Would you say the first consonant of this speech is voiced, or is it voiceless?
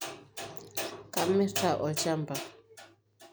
voiceless